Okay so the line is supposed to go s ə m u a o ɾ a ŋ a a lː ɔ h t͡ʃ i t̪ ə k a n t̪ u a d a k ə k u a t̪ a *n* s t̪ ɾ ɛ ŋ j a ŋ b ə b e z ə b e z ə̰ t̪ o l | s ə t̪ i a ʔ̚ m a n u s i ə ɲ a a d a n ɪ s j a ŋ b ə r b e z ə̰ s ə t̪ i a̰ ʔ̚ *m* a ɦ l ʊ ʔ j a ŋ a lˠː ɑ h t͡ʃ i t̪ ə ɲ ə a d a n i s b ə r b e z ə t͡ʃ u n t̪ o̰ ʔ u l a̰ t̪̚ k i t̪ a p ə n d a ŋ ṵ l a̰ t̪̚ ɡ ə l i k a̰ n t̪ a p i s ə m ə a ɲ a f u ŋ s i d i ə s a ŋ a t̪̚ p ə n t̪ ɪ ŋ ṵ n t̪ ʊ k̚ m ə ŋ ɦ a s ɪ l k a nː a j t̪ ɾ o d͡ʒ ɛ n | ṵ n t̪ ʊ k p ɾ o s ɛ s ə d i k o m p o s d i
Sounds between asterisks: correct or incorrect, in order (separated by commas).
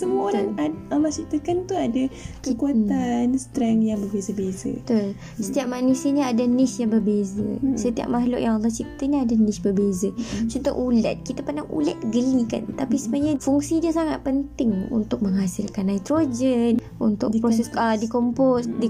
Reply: correct, correct